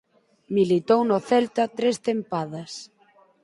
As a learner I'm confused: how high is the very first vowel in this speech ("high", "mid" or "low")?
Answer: high